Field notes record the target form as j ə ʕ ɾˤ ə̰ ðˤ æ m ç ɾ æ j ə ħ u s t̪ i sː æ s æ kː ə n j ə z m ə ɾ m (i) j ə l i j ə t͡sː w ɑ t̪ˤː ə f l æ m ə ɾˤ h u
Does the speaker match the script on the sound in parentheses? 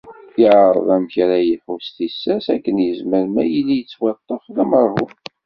no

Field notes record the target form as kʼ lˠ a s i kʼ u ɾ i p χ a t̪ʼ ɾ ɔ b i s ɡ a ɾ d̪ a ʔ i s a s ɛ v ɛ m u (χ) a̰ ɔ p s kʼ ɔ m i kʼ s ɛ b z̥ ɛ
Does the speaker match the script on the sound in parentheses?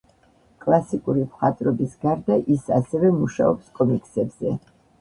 no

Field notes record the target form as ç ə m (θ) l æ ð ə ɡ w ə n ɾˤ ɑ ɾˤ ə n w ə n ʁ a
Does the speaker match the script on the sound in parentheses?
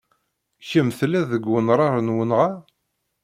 yes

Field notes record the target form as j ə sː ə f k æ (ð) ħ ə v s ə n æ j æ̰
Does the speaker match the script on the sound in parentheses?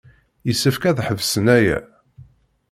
yes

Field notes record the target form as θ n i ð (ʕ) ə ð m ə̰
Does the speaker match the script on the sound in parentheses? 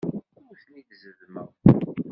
no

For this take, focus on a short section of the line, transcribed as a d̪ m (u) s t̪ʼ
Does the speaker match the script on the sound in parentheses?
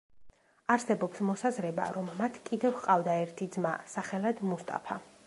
yes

